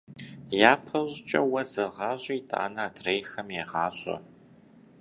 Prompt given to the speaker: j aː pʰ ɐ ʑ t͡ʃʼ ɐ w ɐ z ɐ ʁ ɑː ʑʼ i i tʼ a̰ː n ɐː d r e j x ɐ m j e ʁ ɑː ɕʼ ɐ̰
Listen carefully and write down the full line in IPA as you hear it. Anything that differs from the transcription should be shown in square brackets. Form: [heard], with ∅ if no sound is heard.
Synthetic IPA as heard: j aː pʰ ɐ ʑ t͡ʃʼ ɐ w ɐ z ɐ ʁ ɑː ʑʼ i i tʼ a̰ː n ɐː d r e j x ɐ m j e ʁ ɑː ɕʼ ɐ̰